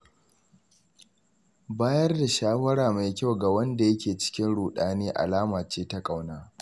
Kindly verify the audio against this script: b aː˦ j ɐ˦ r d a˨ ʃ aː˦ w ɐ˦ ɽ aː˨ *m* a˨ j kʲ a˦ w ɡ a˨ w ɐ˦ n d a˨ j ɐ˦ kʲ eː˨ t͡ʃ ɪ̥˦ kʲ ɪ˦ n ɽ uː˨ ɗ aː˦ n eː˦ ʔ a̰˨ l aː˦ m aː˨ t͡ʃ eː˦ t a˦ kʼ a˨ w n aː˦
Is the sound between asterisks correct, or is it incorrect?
correct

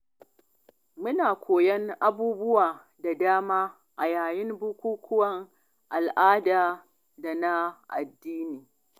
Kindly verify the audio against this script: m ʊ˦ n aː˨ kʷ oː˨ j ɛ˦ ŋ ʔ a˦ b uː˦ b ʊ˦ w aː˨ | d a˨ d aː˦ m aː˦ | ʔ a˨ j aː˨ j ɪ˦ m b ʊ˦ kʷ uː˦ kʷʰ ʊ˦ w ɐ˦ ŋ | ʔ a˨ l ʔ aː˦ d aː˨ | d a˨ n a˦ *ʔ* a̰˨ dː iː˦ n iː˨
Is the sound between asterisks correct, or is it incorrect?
correct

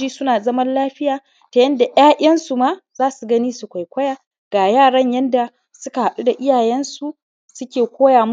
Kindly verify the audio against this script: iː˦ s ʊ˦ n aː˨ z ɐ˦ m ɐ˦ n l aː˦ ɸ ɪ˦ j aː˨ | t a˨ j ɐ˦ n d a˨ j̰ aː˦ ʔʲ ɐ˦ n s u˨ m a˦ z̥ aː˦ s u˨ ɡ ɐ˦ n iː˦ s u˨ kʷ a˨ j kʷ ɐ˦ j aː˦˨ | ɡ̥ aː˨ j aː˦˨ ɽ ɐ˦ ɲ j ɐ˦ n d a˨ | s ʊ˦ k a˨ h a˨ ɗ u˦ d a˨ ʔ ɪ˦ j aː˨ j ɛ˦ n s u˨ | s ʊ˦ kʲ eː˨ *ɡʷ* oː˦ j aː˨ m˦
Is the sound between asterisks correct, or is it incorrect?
incorrect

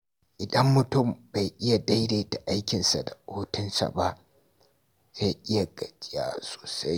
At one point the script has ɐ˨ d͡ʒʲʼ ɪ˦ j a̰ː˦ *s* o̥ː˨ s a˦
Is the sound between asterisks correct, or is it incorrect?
correct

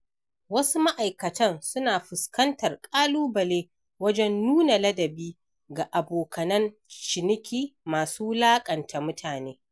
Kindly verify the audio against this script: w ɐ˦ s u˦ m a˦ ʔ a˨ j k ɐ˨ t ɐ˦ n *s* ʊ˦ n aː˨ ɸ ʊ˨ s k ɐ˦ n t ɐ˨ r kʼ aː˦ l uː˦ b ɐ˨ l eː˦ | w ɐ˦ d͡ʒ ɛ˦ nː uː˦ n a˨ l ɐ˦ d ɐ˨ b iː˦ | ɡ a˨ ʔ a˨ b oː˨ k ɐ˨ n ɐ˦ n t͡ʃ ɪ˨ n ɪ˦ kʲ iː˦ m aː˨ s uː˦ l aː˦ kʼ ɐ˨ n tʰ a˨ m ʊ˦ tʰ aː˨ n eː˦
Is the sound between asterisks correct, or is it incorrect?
correct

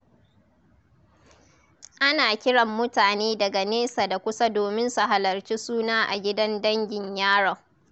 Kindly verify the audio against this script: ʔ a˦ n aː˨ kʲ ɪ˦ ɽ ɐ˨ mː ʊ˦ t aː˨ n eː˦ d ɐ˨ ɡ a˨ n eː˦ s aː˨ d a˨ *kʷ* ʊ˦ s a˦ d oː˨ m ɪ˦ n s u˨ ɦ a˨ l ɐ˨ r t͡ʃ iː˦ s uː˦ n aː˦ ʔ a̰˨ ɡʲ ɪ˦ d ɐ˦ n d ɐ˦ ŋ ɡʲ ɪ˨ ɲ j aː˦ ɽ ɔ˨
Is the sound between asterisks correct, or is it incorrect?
correct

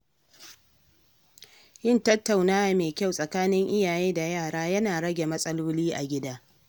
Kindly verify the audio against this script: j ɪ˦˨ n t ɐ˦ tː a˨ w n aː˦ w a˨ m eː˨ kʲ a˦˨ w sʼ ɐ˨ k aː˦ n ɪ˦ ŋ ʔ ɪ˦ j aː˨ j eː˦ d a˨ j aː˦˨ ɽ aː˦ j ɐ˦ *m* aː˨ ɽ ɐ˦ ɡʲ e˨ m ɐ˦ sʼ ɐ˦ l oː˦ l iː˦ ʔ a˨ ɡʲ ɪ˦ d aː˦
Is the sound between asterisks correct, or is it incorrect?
incorrect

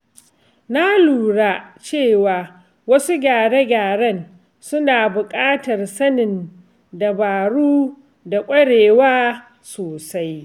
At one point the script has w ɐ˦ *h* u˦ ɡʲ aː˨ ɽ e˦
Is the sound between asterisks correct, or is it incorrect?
incorrect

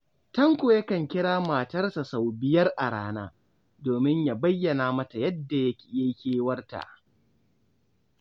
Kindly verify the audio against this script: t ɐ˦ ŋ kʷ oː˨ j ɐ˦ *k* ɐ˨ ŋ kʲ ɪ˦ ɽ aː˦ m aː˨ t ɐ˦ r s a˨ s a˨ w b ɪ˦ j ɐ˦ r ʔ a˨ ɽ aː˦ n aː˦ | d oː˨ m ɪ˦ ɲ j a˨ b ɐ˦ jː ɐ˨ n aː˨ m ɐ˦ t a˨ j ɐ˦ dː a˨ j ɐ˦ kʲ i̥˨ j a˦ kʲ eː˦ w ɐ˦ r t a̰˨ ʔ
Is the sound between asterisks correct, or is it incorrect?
correct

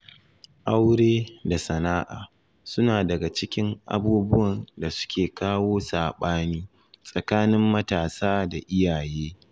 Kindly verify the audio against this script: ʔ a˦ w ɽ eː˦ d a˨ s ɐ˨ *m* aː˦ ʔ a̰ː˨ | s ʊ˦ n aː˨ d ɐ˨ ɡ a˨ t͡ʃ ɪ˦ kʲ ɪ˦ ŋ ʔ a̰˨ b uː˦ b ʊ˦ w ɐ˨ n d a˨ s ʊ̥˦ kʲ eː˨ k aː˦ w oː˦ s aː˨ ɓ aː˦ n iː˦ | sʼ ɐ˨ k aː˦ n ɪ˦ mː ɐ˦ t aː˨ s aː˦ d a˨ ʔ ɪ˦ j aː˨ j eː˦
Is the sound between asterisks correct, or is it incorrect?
incorrect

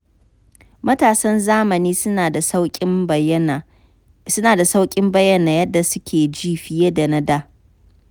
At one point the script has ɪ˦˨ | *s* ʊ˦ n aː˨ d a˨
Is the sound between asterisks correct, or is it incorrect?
correct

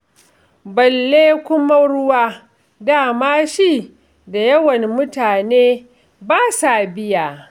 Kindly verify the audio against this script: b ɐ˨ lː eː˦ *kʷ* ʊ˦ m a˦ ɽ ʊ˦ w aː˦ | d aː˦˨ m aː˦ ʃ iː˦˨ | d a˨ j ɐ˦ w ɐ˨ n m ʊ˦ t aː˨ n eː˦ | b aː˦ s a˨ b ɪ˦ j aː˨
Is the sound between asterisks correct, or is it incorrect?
correct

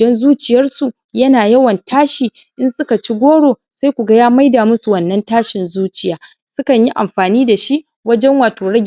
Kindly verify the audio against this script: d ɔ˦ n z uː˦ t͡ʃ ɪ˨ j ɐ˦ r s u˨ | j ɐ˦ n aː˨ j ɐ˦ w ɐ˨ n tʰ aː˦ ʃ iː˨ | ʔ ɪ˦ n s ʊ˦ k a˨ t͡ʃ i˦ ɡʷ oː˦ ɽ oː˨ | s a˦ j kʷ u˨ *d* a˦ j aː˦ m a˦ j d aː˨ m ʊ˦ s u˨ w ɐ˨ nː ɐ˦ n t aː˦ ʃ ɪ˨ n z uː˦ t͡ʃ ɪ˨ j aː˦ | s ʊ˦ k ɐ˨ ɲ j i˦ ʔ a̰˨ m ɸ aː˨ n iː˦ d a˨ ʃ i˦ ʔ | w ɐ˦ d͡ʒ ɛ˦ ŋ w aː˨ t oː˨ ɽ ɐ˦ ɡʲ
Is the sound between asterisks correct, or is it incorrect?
incorrect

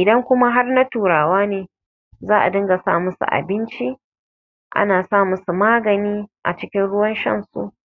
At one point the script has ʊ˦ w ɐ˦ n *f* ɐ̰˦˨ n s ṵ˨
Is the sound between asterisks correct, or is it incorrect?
incorrect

